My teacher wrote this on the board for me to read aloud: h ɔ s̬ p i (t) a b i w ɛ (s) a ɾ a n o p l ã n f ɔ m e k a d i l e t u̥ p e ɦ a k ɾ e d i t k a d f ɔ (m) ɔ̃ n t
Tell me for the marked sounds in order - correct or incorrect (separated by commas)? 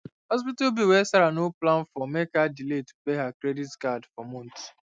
correct, correct, correct